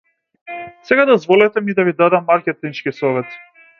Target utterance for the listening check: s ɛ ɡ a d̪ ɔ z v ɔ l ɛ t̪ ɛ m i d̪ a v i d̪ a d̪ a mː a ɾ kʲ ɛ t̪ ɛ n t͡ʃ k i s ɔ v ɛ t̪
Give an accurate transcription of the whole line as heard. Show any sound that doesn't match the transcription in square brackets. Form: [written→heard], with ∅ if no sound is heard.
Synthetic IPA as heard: s ɛ ɡ a d̪ ɔ z v ɔ l ɛ t̪ ɛ m i d̪ a v i d̪ a d̪ a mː a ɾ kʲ ɛ t̪ [ɛ→i] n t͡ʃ k i s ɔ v ɛ t̪